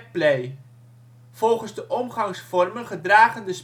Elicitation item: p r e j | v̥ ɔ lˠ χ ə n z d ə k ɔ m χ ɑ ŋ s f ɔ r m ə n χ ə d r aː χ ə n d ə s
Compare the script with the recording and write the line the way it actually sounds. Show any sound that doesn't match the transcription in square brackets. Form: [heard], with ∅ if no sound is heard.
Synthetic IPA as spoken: p [l] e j | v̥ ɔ lˠ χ ə n z d ə [ʔ] ɔ m χ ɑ ŋ s f ɔ r m ə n χ ə d r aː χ ə n d ə s